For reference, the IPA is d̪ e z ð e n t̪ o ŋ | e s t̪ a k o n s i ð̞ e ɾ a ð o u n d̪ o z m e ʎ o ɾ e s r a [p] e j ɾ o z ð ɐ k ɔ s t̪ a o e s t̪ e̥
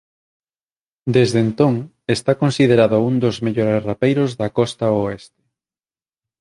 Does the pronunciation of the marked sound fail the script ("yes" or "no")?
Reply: no